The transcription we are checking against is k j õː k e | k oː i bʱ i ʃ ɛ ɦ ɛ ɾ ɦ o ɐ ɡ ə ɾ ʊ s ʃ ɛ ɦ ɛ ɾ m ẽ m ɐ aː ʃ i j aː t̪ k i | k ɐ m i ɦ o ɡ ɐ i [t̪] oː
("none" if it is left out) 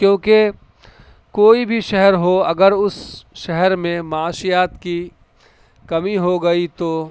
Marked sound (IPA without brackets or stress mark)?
t̪